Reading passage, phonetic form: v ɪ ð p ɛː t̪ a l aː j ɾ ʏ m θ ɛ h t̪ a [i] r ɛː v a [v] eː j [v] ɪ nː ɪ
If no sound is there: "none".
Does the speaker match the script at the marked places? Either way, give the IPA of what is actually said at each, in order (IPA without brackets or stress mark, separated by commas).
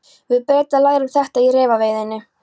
i, v, ð